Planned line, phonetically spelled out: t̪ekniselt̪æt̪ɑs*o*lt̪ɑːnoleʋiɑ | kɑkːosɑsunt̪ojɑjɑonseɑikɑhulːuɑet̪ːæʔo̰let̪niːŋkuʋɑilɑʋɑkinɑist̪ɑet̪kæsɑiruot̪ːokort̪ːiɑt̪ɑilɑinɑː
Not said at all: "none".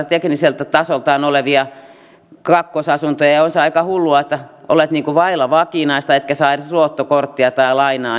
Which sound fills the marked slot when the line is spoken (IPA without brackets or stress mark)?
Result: o